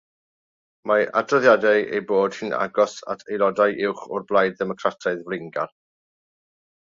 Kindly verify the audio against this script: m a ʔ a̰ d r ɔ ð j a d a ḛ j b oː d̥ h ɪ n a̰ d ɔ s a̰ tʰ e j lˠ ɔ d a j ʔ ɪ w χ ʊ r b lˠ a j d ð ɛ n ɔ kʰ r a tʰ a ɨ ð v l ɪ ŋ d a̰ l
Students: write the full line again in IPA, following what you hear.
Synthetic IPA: m a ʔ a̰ d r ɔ ð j a d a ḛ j b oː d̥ h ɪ n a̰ ɡ ɔ s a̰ tʰ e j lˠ ɔ d a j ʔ ɪ w χ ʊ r b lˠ a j d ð ɛ m ɔ kʰ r a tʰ a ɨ ð v l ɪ ŋ ɡ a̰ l